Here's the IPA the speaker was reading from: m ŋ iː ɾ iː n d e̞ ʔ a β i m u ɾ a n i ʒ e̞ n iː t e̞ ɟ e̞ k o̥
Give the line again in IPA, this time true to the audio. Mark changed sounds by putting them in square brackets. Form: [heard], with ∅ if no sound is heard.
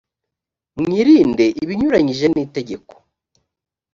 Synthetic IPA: m ŋ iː ɾ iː n d e̞ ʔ [i] β i [ɲ] u ɾ a [ɲ] i ʒ e̞ n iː t e̞ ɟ e̞ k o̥